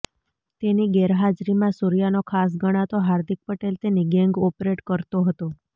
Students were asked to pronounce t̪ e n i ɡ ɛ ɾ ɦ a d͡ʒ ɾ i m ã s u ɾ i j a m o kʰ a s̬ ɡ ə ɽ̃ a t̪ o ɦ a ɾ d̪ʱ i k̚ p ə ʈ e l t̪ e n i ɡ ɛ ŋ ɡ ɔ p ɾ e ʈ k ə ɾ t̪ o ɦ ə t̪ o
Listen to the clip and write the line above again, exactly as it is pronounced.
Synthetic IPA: t̪ e n i ɡ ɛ ɾ ɦ a d͡ʒ ɾ i m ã s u ɾ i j a n o kʰ a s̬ ɡ ə ɽ̃ a t̪ o ɦ a ɾ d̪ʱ i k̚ p ə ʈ e l t̪ e n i ɡ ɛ ŋ ɡ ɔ p ɾ e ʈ k ə ɾ t̪ o ɦ ə t̪ o